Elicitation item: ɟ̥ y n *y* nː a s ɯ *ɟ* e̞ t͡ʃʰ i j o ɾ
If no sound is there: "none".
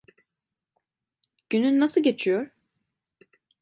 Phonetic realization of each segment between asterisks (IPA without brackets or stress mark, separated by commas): y, ɟ